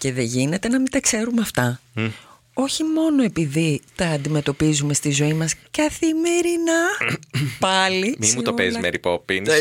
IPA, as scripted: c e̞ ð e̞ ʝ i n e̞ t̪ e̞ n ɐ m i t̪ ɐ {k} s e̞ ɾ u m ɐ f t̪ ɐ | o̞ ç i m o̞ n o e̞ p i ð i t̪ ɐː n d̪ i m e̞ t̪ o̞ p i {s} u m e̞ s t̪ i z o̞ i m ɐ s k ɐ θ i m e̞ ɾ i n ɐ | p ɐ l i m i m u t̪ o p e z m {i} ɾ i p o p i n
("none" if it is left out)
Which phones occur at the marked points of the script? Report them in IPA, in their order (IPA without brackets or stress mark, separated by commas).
k, z, e